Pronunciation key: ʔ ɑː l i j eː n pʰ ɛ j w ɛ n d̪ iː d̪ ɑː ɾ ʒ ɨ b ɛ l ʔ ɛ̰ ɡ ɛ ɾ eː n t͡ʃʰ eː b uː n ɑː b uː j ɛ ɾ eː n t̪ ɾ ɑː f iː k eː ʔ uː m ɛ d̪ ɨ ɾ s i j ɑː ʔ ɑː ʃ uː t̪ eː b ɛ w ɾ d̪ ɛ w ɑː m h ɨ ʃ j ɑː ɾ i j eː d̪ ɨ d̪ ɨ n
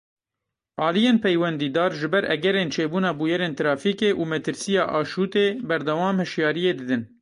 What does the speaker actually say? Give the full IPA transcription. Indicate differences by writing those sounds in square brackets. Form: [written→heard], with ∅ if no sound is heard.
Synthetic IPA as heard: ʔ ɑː l i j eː n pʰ ɛ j w ɛ n d̪ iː d̪ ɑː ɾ ʒ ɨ b ɛ [l→ɾ] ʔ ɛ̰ ɡ ɛ ɾ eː n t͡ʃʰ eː b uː n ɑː b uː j ɛ ɾ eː n t̪ ɾ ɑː f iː k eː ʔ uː m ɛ [d̪→t̪] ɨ ɾ s i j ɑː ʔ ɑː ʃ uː t̪ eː b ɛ [w→∅] ɾ d̪ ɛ w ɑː m h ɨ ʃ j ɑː ɾ i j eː d̪ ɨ d̪ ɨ n